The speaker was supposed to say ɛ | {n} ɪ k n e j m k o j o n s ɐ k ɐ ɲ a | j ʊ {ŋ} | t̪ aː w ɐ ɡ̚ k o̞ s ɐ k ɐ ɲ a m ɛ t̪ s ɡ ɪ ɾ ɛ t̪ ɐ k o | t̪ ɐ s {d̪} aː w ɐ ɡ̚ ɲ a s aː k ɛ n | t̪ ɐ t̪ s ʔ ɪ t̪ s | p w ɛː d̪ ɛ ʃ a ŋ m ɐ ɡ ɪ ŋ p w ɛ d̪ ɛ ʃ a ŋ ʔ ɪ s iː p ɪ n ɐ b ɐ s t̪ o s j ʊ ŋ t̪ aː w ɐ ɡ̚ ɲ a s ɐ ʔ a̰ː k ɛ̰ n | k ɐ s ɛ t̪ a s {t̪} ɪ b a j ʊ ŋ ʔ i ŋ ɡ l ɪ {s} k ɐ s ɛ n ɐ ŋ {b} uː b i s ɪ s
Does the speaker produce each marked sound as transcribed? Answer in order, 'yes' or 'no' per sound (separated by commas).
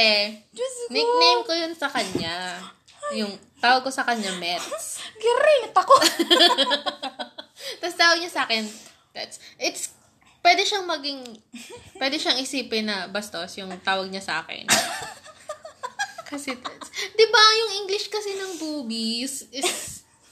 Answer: yes, yes, no, no, no, yes